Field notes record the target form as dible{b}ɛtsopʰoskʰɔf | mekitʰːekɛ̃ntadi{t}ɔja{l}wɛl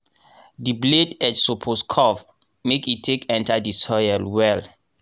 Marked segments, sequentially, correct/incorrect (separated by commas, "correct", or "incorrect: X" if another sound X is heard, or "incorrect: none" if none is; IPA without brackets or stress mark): incorrect: d, incorrect: s, correct